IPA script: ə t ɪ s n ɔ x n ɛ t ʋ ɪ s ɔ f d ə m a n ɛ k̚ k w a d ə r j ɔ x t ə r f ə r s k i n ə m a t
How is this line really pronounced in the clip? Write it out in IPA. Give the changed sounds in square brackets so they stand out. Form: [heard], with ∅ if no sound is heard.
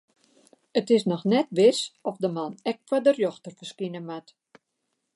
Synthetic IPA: ə t ɪ s n ɔ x n ɛ t ʋ ɪ s ɔ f d ə m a n ɛ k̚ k w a d ə r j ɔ x t ə r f ə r s k i n ə m a t